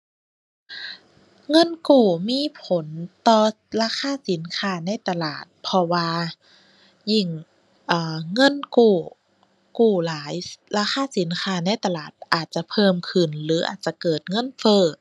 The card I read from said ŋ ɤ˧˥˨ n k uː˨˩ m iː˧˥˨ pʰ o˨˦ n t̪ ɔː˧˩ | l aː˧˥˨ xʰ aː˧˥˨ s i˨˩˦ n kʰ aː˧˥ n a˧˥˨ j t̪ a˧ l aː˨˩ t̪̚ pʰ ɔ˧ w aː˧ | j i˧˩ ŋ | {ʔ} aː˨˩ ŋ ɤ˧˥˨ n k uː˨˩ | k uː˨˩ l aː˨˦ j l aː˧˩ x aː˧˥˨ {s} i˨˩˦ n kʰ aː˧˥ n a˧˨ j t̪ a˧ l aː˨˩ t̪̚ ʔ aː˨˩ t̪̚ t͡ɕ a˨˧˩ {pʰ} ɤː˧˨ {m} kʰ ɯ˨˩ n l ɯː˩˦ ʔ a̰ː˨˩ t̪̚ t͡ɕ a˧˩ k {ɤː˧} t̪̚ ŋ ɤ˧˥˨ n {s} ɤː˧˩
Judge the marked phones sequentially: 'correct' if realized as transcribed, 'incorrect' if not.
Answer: correct, correct, correct, correct, incorrect: ɤː˨˩, incorrect: f

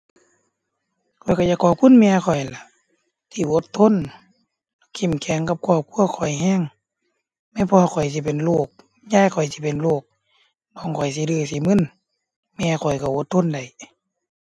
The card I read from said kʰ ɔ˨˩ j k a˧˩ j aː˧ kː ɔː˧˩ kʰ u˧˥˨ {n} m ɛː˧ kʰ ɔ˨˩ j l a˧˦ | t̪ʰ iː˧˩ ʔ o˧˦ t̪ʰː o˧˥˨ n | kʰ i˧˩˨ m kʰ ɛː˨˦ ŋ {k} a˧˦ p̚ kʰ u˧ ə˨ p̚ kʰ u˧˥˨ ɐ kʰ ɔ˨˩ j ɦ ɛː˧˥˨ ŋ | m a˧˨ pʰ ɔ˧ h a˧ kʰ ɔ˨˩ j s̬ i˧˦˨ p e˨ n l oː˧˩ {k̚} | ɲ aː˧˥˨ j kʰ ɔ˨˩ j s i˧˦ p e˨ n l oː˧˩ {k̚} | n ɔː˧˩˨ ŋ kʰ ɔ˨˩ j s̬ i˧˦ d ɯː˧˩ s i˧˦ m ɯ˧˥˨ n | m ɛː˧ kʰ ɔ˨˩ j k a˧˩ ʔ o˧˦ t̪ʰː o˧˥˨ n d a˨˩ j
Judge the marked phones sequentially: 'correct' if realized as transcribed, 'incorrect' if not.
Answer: correct, correct, correct, correct

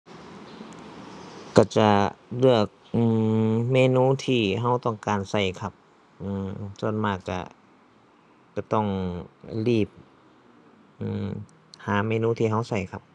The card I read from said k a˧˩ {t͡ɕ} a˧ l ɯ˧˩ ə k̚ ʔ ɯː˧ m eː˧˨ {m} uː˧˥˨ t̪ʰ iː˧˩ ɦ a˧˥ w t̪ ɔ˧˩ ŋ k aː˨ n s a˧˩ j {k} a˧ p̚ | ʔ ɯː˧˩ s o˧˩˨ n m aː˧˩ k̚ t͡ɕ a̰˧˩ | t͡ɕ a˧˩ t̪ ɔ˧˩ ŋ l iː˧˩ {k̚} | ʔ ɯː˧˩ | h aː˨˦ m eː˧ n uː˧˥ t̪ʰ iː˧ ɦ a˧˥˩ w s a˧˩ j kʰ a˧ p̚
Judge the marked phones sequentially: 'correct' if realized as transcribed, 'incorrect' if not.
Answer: correct, incorrect: n, incorrect: kʰ, incorrect: p̚

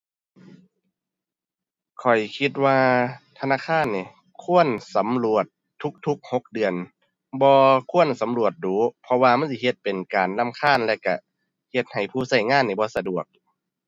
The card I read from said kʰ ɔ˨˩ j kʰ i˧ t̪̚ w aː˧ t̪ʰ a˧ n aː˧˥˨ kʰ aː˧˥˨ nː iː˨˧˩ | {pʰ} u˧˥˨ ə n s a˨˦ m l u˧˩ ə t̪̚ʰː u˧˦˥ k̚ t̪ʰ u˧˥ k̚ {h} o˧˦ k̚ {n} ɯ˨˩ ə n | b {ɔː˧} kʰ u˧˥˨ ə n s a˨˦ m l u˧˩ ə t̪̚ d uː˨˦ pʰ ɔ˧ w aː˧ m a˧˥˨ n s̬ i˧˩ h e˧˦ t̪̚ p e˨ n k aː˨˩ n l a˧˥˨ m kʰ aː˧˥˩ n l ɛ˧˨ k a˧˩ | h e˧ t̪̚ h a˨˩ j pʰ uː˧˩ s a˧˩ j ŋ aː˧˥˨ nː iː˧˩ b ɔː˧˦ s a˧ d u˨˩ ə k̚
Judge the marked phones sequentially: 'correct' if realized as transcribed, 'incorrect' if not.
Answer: incorrect: kʰ, correct, incorrect: d, correct

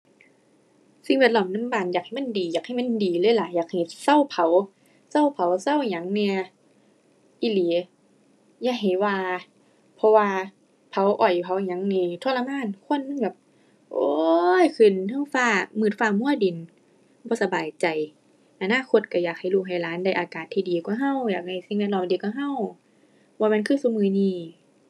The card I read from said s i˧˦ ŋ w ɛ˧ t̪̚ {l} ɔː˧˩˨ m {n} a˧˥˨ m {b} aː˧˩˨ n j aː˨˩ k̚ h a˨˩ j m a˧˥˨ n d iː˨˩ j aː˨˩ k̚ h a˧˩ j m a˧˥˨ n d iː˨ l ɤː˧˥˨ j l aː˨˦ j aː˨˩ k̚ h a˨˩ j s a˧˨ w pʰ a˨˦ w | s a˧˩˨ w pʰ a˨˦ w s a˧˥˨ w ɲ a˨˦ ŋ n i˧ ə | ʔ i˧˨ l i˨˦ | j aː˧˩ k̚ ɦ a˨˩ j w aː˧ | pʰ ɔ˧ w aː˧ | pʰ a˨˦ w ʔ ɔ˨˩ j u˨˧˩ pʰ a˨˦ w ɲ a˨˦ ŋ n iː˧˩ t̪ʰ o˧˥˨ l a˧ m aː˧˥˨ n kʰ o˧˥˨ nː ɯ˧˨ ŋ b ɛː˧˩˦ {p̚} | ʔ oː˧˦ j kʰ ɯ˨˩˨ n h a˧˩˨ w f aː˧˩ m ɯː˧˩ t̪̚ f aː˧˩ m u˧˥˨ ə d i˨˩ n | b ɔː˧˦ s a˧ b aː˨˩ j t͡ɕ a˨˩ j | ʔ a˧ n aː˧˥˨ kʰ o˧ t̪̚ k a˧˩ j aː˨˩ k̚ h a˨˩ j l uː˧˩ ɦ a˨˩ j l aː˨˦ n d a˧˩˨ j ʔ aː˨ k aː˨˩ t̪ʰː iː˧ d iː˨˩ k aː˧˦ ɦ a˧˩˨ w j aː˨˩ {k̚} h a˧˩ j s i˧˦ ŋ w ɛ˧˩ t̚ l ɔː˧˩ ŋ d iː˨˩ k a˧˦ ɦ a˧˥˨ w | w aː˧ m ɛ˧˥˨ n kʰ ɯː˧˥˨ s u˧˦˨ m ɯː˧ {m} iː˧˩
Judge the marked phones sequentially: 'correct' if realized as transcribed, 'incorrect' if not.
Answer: correct, correct, correct, correct, correct, incorrect: n

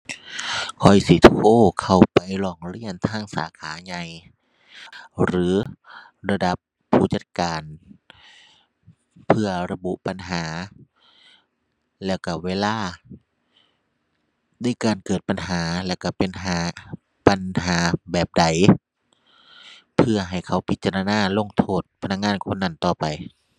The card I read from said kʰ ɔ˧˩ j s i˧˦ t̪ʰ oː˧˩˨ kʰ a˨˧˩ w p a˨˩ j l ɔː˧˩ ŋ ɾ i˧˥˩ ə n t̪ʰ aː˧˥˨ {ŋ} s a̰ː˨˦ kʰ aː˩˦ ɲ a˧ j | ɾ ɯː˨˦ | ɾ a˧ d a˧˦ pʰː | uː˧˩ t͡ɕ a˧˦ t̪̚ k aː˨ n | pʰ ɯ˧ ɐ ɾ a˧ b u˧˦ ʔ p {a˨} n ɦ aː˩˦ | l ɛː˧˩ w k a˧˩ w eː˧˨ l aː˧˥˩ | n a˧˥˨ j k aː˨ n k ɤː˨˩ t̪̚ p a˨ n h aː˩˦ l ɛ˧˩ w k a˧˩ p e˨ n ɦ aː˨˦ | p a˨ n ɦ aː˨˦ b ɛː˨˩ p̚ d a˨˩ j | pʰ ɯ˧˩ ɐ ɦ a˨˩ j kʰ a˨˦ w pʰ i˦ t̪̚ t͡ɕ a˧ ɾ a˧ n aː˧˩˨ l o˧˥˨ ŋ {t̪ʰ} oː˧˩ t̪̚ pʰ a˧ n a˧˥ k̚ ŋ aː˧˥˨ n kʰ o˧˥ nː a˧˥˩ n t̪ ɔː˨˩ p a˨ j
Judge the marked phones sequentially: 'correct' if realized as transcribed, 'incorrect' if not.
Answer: correct, correct, correct

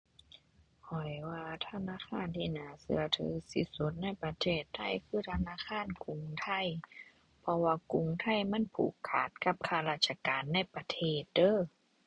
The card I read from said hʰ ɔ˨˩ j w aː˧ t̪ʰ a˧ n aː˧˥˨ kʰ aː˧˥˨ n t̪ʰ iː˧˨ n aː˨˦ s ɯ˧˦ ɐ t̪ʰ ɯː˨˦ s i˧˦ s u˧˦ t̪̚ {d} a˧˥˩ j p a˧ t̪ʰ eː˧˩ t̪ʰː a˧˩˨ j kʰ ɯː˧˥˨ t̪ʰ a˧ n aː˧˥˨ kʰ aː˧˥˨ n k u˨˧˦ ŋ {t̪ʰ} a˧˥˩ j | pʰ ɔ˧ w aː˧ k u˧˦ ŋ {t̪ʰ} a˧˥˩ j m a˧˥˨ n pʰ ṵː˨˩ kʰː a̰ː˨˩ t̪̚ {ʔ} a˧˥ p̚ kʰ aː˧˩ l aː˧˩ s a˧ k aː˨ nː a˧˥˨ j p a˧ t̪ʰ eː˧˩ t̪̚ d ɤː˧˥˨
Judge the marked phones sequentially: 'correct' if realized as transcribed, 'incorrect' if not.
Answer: incorrect: n, correct, correct, incorrect: k

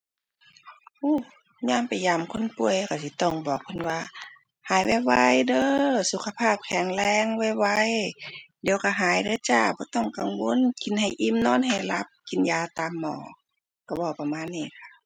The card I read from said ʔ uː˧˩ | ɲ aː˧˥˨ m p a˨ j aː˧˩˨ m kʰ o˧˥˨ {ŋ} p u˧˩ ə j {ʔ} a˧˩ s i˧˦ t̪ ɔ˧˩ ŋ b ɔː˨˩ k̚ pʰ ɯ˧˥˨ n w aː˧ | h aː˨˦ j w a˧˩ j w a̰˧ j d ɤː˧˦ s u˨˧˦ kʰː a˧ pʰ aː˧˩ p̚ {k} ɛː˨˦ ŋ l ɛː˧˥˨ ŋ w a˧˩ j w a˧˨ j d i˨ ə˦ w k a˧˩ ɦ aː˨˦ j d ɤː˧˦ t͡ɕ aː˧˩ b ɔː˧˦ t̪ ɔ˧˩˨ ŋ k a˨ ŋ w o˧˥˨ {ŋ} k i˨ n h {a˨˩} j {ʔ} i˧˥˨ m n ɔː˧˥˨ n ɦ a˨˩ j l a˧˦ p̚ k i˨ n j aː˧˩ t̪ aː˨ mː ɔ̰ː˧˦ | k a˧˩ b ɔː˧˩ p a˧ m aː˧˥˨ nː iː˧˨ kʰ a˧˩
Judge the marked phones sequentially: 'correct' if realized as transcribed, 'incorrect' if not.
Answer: incorrect: n, incorrect: k, incorrect: kʰ, incorrect: n, correct, correct

